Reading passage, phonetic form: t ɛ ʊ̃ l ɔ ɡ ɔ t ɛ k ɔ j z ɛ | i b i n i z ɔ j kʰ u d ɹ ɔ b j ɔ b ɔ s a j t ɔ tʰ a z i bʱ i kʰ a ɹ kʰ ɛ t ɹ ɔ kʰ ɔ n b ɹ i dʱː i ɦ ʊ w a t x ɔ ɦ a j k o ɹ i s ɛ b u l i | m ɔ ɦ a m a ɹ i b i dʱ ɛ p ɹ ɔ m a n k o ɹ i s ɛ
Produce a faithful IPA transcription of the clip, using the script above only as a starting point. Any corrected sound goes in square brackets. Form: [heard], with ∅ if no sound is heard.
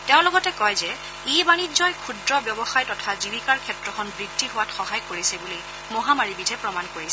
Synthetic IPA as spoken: t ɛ ʊ̃ l ɔ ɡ ɔ t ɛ k ɔ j z ɛ | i b [a] n i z ɔ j kʰ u d ɹ ɔ b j ɔ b ɔ [x] a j t ɔ tʰ a z i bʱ i [k] a ɹ kʰ ɛ t ɹ ɔ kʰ ɔ n b ɹ i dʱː i ɦ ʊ w a t x ɔ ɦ a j k o ɹ i s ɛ b u l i | m ɔ ɦ a m a ɹ i b i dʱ ɛ p ɹ ɔ m a n k o ɹ i s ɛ